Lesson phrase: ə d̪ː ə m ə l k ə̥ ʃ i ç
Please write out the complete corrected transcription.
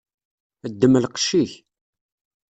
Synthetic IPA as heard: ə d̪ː ə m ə l q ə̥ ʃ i ç